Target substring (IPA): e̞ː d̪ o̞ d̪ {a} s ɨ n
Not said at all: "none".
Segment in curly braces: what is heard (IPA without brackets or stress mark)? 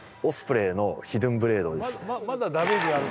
e